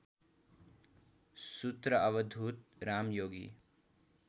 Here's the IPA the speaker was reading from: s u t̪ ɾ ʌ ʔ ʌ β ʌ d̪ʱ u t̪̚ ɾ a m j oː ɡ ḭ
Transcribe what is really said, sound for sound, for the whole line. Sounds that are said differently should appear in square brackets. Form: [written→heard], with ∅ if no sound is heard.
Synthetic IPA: s u t̪ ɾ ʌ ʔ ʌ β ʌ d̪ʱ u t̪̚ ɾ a m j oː ɡ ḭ